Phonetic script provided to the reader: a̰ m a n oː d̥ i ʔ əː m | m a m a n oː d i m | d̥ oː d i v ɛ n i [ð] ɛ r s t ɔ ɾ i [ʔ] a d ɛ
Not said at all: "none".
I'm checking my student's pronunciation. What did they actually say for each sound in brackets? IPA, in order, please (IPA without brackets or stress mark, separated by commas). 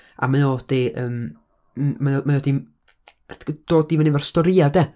v, none